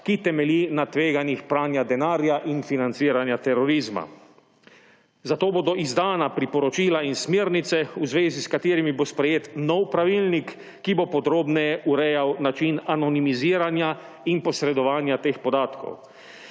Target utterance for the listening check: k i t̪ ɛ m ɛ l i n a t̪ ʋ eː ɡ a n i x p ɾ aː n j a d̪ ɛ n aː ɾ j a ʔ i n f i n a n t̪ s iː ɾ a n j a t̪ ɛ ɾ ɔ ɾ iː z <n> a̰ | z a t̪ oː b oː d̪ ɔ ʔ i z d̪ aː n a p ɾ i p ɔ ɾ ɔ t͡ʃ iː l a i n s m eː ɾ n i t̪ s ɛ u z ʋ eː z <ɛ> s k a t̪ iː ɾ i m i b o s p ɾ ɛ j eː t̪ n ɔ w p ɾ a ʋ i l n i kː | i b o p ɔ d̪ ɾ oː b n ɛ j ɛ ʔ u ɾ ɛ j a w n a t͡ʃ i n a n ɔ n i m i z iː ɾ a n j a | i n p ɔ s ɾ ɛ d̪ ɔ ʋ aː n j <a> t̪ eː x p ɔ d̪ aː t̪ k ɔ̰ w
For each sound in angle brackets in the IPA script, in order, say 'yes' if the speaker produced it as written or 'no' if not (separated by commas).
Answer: no, no, yes